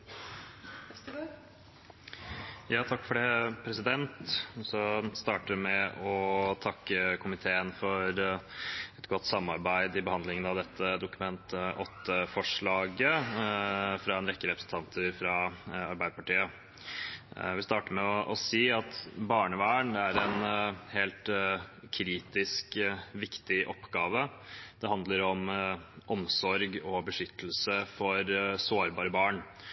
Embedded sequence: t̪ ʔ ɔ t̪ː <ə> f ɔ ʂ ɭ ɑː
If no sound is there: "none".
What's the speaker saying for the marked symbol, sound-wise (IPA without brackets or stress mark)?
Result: ə